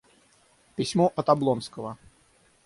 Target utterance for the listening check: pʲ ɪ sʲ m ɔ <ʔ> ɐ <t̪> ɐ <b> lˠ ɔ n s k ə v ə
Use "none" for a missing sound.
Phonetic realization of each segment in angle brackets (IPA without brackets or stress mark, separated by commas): ʔ, t̪, b